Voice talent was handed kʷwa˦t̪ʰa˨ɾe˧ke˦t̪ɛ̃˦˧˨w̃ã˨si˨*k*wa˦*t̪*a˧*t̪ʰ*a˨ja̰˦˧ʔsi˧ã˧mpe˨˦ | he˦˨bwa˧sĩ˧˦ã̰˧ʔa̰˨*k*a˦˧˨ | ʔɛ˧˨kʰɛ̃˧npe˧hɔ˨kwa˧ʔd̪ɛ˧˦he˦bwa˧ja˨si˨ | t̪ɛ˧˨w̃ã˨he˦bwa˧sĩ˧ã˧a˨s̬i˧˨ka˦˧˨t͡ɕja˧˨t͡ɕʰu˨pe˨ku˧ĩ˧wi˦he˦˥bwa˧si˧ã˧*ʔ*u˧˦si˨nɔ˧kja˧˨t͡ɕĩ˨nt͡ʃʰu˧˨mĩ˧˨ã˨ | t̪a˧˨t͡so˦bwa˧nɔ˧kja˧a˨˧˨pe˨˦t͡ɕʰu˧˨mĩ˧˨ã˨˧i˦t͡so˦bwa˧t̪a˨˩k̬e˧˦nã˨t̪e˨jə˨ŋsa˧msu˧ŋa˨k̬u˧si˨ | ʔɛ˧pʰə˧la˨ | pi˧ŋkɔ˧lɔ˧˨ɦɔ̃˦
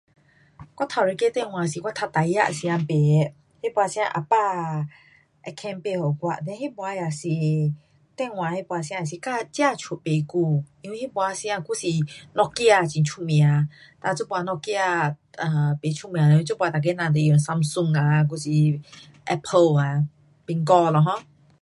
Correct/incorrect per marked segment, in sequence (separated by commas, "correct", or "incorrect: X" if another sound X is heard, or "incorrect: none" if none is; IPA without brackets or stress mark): correct, incorrect: t̪ʰ, incorrect: t̪, incorrect: p, incorrect: k